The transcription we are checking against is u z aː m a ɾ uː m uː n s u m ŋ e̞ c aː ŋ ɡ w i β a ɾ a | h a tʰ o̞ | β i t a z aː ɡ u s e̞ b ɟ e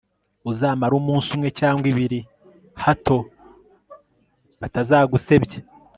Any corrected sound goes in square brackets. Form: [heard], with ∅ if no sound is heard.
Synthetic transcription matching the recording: u z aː m a ɾ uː m uː n s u m ŋ e̞ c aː ŋ ɡ w i β [i] ɾ [i] | h a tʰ o̞ | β [a] t a z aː ɡ u s e̞ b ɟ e